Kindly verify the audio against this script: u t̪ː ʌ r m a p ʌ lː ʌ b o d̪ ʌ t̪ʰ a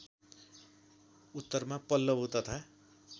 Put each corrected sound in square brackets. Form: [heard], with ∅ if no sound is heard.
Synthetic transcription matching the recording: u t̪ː ʌ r m a p ʌ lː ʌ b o [t̪] ʌ t̪ʰ a